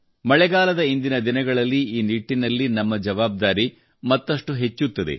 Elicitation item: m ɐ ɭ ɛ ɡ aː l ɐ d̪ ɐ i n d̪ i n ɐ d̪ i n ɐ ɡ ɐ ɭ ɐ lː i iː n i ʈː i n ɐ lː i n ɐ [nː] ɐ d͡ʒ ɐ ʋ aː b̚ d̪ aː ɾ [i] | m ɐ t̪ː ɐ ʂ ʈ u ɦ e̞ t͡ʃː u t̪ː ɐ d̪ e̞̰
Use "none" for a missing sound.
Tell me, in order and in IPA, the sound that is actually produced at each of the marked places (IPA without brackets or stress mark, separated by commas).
mː, i